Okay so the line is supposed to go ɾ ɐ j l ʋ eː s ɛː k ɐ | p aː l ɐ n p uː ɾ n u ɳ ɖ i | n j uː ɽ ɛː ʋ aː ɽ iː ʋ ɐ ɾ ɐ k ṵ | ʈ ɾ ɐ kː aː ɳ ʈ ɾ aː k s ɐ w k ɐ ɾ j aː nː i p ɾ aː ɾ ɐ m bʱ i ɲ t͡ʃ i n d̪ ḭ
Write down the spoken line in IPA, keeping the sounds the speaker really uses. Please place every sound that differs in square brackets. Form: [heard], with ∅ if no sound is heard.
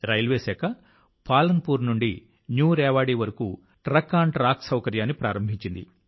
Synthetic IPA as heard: ɾ ɐ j l ʋ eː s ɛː k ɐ | p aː l ɐ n p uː ɾ n u ɳ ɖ i | n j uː [ɾ] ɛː ʋ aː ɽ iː ʋ ɐ ɾ ɐ k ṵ | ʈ ɾ ɐ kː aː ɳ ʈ ɾ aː k s ɐ w k ɐ ɾ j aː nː i p ɾ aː ɾ ɐ m bʱ i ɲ t͡ʃ i n d̪ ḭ